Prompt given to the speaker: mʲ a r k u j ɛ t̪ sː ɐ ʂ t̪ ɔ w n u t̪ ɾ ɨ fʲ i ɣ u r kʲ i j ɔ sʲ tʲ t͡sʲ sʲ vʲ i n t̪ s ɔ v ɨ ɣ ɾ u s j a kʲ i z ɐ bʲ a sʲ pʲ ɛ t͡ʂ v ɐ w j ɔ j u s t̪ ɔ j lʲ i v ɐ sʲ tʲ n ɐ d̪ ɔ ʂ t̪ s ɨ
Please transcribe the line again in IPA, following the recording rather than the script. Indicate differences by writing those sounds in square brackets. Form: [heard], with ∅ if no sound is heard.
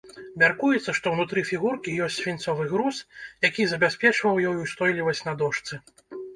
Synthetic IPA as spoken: mʲ a r k u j ɛ t̪ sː ɐ ʂ t̪ ɔ w n u t̪ ɾ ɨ fʲ i ɣ u r kʲ i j ɔ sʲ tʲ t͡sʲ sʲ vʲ i n t̪ s ɔ v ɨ ɣ ɾ u s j a kʲ i z ɐ bʲ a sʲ pʲ ɛ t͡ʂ v ɐ w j ɔ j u s t̪ ɔ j lʲ i v ɐ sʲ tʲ n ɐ d̪ ɔ ʂ t̪ s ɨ